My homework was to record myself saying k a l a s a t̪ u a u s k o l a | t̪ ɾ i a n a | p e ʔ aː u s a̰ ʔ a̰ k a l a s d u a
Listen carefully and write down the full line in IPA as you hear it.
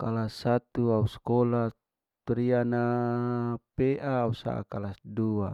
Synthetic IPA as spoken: k a l a s a t̪ u a u s k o l a | t̪ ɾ i a n a | p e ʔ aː u s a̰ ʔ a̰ k a l a s d u a